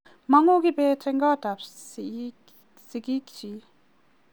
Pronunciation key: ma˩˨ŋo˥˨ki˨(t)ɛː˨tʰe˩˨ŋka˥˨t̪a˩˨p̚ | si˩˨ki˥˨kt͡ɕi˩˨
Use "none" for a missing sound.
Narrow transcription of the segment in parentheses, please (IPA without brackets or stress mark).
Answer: p